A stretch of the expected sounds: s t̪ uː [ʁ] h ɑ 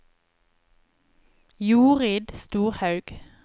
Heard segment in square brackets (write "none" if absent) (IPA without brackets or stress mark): ʁ